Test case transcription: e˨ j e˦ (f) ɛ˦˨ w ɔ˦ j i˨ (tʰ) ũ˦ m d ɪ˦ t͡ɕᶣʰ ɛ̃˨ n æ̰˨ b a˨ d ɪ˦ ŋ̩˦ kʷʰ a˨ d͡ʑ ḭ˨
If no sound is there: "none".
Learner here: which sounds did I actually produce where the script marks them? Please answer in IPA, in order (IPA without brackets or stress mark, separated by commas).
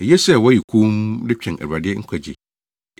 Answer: s, kʰ